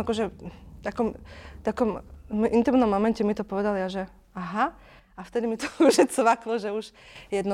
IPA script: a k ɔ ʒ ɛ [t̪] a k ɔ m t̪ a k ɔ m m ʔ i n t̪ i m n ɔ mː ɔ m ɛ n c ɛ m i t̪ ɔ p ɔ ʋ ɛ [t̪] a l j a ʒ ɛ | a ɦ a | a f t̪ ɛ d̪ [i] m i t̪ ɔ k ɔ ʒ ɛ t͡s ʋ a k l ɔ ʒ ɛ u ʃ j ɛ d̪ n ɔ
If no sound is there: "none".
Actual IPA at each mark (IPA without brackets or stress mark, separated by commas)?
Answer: t̪, d̪, i